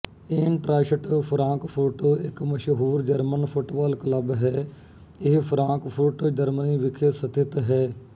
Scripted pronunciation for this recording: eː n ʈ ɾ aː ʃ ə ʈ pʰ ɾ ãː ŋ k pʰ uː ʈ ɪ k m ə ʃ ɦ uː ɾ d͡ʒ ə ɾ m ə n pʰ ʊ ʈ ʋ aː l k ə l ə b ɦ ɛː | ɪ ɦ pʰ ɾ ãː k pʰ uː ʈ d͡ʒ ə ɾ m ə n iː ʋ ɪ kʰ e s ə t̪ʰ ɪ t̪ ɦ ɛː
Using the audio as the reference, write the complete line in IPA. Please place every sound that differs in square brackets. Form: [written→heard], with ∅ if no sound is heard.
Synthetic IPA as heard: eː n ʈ ɾ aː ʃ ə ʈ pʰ ɾ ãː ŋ k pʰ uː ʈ ɪ k m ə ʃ ɦ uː ɾ d͡ʒ ə ɾ m ə n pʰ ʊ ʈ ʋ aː l k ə l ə b ɦ ɛː | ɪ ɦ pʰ ɾ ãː k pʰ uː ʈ d͡ʒ ə ɾ m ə n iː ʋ ɪ kʰ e s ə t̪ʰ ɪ t̪ ɦ ɛː